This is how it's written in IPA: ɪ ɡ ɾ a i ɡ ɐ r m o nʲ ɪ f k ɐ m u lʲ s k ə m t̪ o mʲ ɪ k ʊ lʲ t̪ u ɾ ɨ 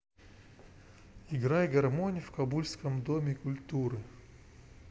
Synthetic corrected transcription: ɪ ɡ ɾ a j ɡ ɐ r m o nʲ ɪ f k ɐ b u lʲ s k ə m d̪ o mʲ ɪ k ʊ lʲ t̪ u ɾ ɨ